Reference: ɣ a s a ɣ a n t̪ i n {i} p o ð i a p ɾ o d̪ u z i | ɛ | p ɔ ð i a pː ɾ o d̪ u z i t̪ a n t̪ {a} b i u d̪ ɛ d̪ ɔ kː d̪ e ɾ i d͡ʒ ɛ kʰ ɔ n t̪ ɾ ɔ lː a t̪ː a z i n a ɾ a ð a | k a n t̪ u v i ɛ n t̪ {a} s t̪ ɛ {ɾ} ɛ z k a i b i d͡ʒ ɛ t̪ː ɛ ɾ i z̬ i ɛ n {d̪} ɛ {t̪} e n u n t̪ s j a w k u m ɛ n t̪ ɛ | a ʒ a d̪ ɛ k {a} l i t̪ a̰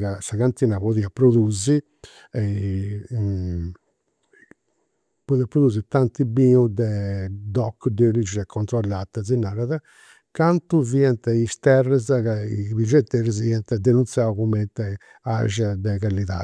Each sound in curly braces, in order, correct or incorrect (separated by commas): incorrect, incorrect, incorrect, incorrect, incorrect, incorrect, correct